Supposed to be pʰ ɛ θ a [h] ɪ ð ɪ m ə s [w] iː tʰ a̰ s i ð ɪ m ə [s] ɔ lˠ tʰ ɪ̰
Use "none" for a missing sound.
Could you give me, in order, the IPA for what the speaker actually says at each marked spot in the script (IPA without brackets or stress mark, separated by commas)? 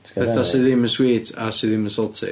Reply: s, w, s